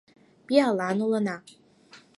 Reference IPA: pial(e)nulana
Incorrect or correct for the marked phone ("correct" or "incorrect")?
incorrect